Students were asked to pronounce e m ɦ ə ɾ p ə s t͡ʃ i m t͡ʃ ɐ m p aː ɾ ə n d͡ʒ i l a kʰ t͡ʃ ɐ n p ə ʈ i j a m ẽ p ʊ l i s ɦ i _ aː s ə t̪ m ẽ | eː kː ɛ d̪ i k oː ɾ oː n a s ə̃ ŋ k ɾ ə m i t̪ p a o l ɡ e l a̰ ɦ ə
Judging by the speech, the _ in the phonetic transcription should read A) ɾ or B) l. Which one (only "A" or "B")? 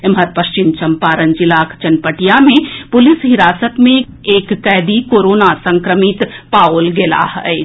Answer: A